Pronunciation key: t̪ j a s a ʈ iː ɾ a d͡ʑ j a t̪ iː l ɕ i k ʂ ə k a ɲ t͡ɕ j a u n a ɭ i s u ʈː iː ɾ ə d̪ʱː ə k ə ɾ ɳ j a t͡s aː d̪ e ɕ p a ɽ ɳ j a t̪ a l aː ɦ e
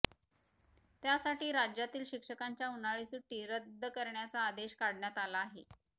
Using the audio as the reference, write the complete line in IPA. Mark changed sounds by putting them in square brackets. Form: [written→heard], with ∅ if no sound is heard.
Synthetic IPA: t̪ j a s a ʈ iː ɾ a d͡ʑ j a t̪ iː l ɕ i k ʂ ə k a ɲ t͡ɕ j a u n a ɭ i s u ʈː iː ɾ ə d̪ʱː ə k ə ɾ ɳ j a t͡s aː d̪ e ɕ [p→k] a ɽ ɳ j a t̪ a l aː ɦ e